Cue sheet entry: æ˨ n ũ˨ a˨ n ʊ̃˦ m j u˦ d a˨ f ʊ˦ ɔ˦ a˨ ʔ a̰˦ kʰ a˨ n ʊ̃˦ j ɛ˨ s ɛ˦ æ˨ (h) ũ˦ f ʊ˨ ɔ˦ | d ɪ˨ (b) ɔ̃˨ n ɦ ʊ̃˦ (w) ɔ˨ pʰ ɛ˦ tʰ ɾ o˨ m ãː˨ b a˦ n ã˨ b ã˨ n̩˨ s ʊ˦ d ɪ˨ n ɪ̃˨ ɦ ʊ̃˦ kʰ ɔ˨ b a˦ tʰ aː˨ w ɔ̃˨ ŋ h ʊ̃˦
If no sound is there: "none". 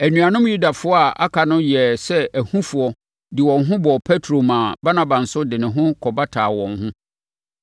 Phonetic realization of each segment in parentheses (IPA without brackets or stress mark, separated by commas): h, w, b